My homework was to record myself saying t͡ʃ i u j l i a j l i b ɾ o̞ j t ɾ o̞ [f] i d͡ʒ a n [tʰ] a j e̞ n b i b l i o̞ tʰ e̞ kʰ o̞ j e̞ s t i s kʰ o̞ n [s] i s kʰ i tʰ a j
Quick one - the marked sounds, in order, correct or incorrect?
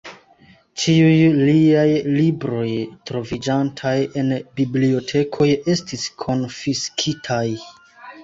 incorrect, correct, incorrect

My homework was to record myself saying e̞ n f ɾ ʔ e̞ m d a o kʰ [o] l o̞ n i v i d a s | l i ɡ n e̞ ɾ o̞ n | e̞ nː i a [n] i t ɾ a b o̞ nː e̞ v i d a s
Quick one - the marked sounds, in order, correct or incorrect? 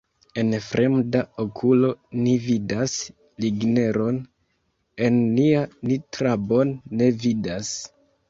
incorrect, correct

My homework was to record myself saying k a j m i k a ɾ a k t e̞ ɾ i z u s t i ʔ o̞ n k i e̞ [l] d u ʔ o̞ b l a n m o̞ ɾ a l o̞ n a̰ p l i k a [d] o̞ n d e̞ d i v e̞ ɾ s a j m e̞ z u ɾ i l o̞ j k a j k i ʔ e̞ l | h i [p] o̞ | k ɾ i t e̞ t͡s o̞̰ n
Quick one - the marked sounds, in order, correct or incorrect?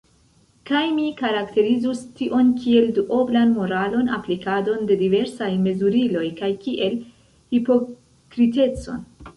correct, correct, correct

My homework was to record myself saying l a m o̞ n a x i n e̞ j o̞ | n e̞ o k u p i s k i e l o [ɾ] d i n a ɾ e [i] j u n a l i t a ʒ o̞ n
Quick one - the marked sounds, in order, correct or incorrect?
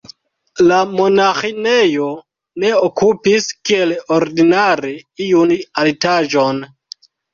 correct, correct

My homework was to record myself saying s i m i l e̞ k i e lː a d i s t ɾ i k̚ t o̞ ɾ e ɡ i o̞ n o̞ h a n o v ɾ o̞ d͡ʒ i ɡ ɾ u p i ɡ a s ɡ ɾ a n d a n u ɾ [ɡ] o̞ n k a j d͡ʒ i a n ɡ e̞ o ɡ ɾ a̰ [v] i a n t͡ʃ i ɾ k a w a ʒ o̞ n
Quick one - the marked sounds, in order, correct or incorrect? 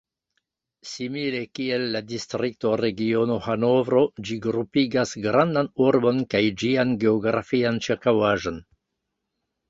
incorrect, incorrect

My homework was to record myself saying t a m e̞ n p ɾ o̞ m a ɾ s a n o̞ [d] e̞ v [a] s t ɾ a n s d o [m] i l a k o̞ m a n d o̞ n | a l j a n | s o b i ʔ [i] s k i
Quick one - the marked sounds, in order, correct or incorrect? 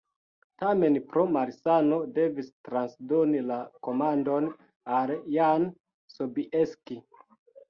correct, incorrect, incorrect, incorrect

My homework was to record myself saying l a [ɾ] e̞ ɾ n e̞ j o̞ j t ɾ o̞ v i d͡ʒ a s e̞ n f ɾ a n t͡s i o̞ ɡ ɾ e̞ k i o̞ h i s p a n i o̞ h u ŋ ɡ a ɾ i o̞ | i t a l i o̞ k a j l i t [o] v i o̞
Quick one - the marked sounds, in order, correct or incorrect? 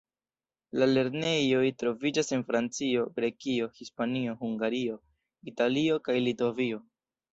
incorrect, correct

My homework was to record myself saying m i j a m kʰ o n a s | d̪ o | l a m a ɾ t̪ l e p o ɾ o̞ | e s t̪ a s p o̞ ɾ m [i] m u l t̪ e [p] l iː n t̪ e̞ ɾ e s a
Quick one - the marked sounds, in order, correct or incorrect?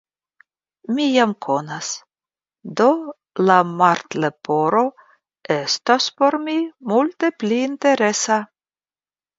correct, correct

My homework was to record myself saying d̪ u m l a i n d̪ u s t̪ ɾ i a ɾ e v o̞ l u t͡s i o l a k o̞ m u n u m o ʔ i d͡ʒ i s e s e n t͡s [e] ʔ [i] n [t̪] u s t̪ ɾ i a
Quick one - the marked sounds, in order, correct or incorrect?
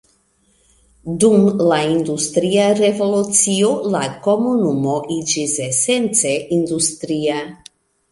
correct, correct, incorrect

